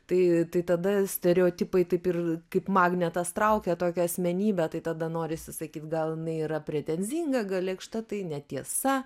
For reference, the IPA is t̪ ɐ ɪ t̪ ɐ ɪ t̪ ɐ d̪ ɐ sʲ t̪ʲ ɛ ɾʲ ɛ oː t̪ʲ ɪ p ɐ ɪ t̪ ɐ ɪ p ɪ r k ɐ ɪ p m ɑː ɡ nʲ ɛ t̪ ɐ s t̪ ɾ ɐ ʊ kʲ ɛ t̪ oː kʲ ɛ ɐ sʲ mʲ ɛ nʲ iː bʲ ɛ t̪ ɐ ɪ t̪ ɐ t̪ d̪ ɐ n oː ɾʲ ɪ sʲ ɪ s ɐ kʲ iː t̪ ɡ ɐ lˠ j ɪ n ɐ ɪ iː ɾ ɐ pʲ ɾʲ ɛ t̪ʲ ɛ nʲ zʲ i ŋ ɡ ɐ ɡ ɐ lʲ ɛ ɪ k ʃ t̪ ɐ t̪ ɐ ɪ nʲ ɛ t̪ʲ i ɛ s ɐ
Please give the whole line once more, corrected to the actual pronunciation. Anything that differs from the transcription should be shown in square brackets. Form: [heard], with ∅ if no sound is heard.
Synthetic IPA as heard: t̪ ɐ ɪ t̪ ɐ ɪ t̪ ɐ d̪ ɐ sʲ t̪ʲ ɛ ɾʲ ɛ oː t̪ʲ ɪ p ɐ ɪ t̪ ɐ ɪ p ɪ r k ɐ ɪ p m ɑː ɡ nʲ ɛ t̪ ɐ s t̪ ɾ ɐ ʊ kʲ ɛ t̪ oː kʲ ɛ ɐ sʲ mʲ ɛ nʲ iː bʲ ɛ t̪ ɐ ɪ t̪ ɐ [∅] d̪ ɐ n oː ɾʲ ɪ sʲ ɪ s ɐ kʲ iː t̪ ɡ ɐ lˠ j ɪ n ɐ ɪ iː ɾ ɐ pʲ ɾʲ ɛ t̪ʲ ɛ nʲ zʲ i ŋ ɡ ɐ ɡ ɐ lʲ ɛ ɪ k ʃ t̪ ɐ t̪ ɐ ɪ nʲ ɛ t̪ʲ i ɛ s ɐ